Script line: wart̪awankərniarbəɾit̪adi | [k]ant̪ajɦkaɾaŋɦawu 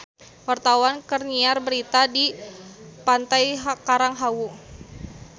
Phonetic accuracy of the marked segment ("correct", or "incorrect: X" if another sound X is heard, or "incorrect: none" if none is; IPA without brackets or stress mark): incorrect: p